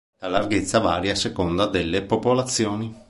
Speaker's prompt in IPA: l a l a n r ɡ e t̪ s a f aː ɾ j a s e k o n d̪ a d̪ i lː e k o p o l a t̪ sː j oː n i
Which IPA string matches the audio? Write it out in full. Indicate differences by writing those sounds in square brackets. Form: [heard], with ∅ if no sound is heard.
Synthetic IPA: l a l a [∅] r ɡ e t̪ [sː] a [v] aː ɾ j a s e k o n d̪ a d̪ [e] lː e [p] o p o l a t̪ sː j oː n i